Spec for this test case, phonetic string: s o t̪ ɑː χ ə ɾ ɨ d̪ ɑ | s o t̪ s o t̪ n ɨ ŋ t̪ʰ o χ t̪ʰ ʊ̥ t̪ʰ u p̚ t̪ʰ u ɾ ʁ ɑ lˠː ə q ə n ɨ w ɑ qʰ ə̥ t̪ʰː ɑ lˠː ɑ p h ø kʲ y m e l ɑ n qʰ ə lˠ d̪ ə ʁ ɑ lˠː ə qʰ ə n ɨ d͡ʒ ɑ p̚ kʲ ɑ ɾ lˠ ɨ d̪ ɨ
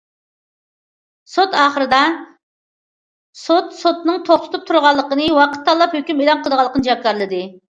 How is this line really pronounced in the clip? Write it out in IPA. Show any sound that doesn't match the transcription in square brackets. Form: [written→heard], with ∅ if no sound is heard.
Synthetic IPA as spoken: s o t̪ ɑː χ ə ɾ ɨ d̪ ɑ | s o t̪ s o t̪ n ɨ ŋ t̪ʰ o χ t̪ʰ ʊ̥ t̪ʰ u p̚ t̪ʰ u ɾ ʁ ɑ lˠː ə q ə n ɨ w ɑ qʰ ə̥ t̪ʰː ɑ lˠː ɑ p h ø kʲ y m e l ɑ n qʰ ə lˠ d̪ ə ʁ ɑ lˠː ə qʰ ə n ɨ d͡ʒ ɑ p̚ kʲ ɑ ɾ lˠ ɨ d̪ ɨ